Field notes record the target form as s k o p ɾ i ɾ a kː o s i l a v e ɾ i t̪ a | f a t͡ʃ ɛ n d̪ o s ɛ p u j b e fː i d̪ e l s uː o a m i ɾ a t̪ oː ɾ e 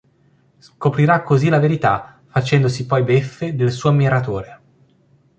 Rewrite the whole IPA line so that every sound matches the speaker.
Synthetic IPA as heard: s k o p ɾ i ɾ a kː o z i l a v e ɾ i t̪ a | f a t͡ʃ ɛ n d̪ o s i p ɔ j b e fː e d̪ e l s uː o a m i ɾ a t̪ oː ɾ e